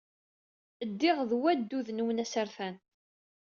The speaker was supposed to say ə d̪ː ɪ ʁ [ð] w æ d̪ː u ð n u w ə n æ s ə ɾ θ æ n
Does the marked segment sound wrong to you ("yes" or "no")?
no